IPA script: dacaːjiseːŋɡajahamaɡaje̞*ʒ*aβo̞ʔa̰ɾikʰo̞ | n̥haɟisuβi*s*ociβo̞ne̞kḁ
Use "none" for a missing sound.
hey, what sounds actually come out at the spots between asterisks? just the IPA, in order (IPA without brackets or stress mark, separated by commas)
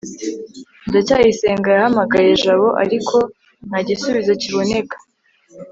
ʒ, z